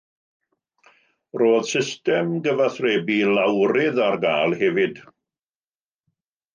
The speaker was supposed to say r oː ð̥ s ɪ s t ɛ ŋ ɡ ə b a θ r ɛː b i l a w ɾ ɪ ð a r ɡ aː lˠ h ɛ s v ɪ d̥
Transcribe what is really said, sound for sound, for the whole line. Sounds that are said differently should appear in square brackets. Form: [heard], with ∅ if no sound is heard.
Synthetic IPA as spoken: r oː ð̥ s ɪ s t ɛ [m] ɡ ə [v] a θ r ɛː b i l a w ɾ ɪ ð a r ɡ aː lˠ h ɛ [∅] v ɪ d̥